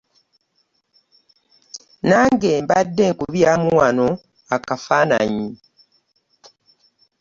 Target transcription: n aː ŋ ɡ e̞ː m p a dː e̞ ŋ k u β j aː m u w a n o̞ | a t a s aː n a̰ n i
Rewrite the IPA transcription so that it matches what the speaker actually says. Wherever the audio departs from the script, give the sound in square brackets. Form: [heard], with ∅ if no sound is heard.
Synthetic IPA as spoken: n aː ŋ ɡ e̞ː m [b] a dː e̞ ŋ k u β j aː m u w a n o̞ | a [k] a [f] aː n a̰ [ɲ] i